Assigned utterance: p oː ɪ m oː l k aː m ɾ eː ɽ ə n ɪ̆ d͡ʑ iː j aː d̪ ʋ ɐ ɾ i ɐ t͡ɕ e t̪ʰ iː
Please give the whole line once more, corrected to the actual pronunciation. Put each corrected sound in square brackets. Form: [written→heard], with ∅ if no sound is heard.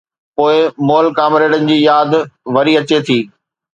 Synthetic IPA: p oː ɪ m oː l k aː m ɾ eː ɽ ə n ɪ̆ d͡ʑ iː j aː d̪ ʋ ɐ ɾ i ɐ t͡ɕ e t̪ʰ iː